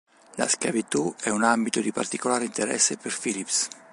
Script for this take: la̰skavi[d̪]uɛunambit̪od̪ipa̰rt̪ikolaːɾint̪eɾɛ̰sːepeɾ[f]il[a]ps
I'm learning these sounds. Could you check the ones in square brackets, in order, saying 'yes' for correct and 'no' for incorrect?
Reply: no, yes, no

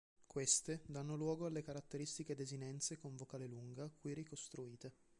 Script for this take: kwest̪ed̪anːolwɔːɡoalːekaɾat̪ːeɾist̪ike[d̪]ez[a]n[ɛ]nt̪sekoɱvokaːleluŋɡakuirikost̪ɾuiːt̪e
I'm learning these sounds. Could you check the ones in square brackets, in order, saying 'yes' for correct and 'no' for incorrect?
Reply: yes, no, yes

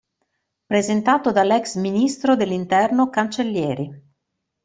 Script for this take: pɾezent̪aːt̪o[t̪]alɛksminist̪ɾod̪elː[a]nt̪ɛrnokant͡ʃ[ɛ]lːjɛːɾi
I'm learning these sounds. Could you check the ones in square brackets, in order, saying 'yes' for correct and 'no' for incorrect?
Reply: no, no, no

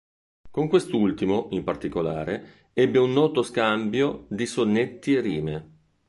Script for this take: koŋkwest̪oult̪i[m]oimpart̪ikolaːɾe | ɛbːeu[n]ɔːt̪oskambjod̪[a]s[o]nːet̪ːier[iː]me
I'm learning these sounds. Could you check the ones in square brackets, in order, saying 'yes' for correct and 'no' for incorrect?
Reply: yes, no, no, yes, yes

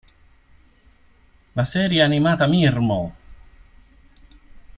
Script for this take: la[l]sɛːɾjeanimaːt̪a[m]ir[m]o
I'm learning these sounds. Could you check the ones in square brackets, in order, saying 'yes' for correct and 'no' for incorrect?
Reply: no, yes, yes

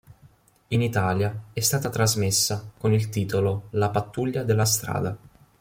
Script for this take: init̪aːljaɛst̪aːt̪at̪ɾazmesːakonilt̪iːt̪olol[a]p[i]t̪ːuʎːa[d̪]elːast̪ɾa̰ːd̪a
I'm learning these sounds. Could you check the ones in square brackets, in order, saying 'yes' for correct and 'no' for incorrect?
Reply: yes, no, yes

